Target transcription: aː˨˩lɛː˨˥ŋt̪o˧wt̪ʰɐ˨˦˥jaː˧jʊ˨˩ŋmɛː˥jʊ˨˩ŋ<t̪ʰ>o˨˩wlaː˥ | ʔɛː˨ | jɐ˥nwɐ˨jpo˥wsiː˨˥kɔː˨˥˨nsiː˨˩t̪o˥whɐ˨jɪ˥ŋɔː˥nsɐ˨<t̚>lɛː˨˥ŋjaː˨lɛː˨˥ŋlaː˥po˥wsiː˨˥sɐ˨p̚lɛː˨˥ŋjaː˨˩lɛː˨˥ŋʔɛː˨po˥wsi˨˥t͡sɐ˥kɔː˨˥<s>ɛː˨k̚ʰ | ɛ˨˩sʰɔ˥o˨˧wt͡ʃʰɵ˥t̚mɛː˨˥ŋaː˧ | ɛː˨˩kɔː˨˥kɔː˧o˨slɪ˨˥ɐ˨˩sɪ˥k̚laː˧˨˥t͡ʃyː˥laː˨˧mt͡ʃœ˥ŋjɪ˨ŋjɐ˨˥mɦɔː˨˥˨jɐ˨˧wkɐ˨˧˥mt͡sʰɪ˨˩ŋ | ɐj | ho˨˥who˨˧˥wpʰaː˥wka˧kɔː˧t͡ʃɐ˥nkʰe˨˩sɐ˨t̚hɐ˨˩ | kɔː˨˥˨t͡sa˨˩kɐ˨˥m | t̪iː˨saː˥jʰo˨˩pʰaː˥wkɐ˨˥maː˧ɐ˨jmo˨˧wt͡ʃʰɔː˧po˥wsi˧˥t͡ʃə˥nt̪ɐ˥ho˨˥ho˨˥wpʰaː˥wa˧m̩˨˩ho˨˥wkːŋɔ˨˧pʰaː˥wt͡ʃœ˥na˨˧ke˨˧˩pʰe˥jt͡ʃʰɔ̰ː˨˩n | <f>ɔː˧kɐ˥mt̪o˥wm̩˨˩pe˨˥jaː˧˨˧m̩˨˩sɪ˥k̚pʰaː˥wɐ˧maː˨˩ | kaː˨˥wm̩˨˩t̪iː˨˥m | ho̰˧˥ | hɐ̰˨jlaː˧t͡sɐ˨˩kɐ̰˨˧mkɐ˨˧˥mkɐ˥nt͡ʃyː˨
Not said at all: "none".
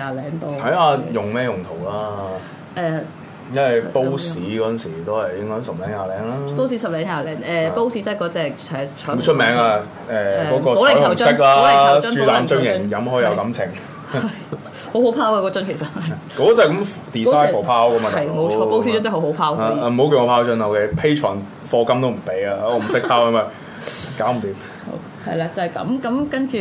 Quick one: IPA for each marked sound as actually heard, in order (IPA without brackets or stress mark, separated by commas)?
t̪ʰ, p̚, t͡s, f